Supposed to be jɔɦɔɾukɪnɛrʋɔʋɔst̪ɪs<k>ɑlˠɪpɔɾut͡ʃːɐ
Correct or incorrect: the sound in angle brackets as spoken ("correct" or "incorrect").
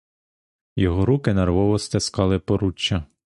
correct